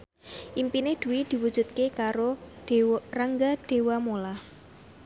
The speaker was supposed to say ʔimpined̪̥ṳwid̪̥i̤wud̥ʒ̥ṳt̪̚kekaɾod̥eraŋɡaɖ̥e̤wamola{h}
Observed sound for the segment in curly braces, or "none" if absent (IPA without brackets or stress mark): h